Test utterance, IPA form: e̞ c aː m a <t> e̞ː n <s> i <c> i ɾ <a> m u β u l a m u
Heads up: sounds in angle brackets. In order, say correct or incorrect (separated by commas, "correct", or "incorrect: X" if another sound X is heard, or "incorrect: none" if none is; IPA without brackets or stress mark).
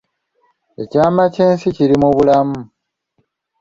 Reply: incorrect: c, correct, correct, incorrect: i